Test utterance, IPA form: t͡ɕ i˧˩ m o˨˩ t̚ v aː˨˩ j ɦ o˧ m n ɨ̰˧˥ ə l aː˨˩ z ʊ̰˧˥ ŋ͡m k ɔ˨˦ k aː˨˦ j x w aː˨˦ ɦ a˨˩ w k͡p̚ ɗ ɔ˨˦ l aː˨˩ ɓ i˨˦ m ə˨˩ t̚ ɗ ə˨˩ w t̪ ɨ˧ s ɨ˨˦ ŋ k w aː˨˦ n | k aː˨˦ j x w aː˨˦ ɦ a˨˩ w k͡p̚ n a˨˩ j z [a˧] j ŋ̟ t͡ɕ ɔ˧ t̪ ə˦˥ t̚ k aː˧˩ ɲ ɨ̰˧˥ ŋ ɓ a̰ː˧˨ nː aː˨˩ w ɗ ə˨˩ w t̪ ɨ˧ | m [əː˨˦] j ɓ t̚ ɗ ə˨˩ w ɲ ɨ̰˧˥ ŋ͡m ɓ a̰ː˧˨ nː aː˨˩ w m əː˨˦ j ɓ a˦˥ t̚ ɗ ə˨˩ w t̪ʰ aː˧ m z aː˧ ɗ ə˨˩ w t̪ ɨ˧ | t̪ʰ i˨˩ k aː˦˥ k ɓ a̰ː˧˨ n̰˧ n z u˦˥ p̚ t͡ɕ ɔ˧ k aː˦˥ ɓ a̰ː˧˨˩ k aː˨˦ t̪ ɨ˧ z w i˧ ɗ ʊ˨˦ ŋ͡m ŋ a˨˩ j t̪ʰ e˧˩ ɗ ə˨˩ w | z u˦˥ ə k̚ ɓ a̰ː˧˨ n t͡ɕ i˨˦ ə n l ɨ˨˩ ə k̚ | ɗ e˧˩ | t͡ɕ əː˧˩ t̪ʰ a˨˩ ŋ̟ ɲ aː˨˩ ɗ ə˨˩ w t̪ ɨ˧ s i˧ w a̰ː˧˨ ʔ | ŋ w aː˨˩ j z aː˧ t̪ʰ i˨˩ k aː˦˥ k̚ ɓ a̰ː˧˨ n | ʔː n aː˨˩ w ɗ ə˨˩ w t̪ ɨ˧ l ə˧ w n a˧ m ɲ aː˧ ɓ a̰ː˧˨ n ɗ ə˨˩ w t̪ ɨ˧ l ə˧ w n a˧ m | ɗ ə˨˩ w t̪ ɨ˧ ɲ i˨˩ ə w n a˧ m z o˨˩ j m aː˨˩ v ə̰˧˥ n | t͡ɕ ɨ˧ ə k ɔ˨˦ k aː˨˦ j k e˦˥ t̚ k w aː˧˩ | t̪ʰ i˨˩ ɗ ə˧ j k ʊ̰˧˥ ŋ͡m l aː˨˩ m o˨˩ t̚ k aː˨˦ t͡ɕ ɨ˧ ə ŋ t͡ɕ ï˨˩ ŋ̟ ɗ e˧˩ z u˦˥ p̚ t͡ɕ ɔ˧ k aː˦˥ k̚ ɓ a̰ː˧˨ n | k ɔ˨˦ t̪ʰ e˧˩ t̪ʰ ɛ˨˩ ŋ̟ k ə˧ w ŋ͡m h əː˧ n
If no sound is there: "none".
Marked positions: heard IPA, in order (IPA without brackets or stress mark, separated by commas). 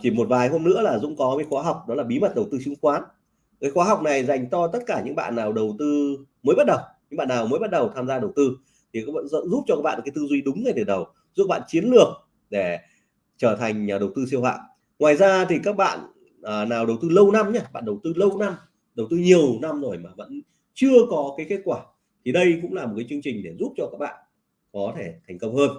a˨˩, əː˨˦